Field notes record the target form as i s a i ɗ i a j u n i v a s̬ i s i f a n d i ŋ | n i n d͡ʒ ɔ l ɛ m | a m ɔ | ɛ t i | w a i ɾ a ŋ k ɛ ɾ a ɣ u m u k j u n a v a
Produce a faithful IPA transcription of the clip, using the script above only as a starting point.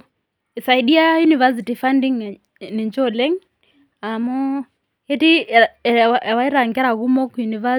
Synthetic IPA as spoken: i s a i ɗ i a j u n i v a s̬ i t i f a n d i ŋ | n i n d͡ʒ ɔ l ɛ ŋ | a m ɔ | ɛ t i | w a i ɾ a ŋ ɡ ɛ ɾ a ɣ u m ɔ k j u n i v a